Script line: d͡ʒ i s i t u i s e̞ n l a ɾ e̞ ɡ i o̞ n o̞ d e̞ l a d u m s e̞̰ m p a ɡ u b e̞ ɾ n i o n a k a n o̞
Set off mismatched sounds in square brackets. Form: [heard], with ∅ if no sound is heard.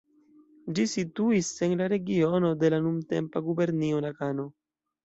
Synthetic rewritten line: d͡ʒ i s i t u i s e̞ n l a ɾ e̞ ɡ i o̞ n o̞ d e̞ l a [n] u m [t] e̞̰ m p a ɡ u b e̞ ɾ n i o n a k a n o̞